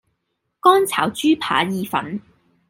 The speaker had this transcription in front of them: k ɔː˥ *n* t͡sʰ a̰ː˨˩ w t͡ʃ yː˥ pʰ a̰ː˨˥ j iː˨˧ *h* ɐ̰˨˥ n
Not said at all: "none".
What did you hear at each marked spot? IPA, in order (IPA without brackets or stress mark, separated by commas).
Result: n, f